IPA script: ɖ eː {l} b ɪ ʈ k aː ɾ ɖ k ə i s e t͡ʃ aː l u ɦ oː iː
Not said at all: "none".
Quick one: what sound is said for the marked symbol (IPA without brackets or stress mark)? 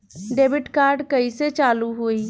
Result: none